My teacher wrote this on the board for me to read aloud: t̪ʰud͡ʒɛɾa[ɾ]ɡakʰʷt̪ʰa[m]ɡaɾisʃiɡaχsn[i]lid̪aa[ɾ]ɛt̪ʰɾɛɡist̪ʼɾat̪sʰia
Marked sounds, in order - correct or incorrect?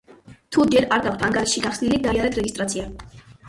correct, incorrect, correct, correct

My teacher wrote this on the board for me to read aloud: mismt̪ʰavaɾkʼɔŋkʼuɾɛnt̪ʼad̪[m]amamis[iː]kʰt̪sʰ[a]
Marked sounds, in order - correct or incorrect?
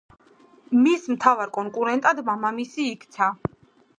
correct, correct, correct

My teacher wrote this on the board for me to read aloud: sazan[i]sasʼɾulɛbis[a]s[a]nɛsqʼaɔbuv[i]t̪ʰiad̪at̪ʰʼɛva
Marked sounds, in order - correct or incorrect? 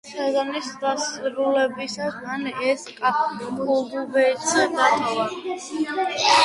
correct, correct, correct, incorrect

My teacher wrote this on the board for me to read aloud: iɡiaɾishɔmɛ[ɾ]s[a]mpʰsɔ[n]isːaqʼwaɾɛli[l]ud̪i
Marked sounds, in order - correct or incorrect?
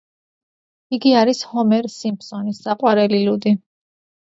correct, incorrect, correct, correct

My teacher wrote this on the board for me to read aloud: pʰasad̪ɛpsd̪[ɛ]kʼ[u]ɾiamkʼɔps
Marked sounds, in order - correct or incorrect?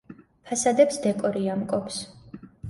correct, incorrect

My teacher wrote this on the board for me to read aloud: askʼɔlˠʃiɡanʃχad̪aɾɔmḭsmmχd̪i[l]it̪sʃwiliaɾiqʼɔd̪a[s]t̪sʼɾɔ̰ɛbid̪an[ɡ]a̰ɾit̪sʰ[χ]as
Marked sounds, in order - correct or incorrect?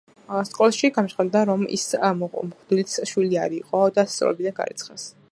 correct, correct, correct, correct

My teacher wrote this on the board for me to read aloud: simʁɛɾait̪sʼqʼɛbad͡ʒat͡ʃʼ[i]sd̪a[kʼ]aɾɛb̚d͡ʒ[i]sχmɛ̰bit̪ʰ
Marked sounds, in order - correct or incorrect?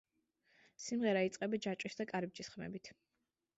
correct, correct, correct

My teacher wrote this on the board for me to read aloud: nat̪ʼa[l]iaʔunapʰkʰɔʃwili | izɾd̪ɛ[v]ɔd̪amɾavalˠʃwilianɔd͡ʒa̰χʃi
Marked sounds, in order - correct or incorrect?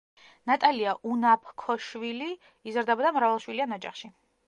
correct, incorrect

